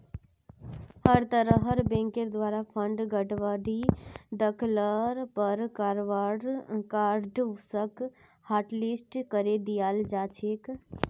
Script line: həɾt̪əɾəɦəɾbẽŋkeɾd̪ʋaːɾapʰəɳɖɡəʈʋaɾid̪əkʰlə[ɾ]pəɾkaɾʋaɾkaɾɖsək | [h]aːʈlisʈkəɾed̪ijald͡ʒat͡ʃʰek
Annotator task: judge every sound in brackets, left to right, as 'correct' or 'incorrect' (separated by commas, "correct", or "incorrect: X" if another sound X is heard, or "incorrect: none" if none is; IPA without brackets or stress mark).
correct, correct